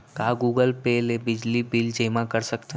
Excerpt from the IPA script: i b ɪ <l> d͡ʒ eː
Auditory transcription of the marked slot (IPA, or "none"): l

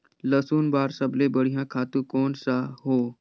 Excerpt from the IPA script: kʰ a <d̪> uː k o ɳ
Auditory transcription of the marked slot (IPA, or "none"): t̪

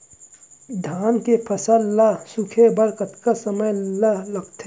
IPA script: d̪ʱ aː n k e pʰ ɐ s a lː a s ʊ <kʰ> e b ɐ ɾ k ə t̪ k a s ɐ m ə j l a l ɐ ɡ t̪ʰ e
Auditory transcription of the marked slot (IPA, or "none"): kʰ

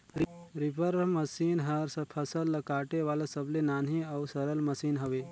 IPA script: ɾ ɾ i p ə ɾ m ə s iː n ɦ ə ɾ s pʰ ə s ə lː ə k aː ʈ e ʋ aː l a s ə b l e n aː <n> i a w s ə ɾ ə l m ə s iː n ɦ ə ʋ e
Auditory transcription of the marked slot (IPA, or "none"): n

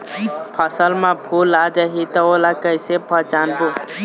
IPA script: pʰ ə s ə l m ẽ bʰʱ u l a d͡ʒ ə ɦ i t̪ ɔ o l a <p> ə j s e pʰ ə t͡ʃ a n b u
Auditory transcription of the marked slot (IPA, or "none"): k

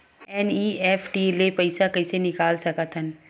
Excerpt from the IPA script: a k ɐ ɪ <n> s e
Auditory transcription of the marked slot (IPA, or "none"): none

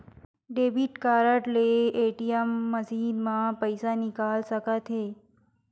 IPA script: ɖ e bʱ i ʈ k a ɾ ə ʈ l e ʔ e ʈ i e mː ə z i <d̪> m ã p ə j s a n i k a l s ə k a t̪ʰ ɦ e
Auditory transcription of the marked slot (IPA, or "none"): d̪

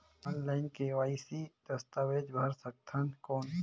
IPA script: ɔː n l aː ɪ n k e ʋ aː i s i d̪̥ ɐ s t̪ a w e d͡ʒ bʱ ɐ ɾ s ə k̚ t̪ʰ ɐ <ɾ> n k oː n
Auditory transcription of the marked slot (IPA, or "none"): none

